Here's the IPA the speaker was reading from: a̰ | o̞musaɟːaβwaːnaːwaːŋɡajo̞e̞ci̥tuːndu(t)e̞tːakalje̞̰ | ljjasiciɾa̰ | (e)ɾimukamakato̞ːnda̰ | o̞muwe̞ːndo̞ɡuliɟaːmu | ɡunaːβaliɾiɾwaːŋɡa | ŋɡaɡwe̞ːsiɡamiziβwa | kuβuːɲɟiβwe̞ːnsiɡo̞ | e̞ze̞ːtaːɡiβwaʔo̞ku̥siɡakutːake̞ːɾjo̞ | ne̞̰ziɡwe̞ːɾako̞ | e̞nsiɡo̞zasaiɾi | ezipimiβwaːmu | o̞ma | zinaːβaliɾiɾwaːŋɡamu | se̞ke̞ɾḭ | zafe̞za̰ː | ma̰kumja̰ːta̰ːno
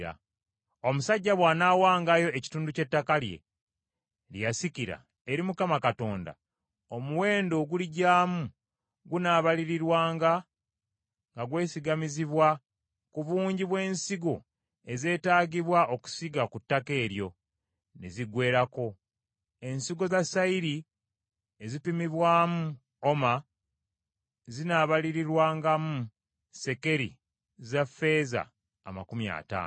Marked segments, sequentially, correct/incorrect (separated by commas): incorrect, correct